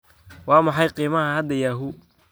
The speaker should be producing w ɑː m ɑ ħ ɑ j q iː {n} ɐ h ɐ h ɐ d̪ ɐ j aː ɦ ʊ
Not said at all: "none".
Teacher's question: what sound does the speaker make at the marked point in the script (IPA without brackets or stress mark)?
m